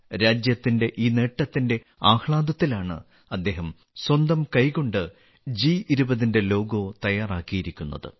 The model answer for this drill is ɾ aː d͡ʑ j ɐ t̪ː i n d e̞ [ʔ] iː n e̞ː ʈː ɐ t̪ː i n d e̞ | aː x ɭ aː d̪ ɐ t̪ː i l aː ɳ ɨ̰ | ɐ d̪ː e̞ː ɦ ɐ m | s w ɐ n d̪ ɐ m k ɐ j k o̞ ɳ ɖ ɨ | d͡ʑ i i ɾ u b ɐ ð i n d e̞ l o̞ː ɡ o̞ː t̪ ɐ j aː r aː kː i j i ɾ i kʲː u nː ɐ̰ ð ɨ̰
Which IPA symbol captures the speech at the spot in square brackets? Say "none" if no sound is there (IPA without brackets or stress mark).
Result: ʔ